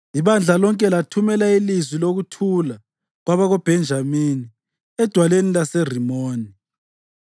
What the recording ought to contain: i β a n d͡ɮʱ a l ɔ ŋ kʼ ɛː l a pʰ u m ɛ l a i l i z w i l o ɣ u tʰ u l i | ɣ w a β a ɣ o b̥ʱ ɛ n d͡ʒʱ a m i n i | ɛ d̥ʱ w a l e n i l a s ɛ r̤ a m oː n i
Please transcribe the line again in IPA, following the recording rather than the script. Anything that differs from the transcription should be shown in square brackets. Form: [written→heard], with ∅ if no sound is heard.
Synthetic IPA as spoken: i β a n d͡ɮʱ a l ɔ ŋ kʼ [ɛː→ɛ] l a [pʰ→tʰ] u m ɛ l a i l i z w i l o ɣ u tʰ u l [i→a] | ɣ w a β a ɣ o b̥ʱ ɛ n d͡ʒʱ a m i n i | ɛ d̥ʱ w a l e n i l a s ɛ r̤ [a→i] m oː n i

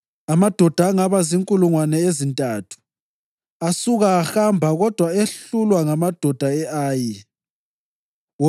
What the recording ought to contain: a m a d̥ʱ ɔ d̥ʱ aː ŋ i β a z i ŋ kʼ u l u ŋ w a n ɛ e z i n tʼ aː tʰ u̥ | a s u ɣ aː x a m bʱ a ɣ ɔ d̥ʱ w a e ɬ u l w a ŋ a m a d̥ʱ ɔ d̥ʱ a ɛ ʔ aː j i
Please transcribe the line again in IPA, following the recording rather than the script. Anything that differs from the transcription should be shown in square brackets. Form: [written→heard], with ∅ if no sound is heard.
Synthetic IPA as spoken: a m a d̥ʱ ɔ d̥ʱ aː ŋ [i→a] β a z i ŋ kʼ u l u ŋ w a n ɛ e z i n tʼ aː tʰ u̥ | a s u ɣ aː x a m bʱ a ɣ ɔ d̥ʱ w a e ɬ u l w a ŋ a m a d̥ʱ ɔ d̥ʱ a ɛ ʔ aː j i

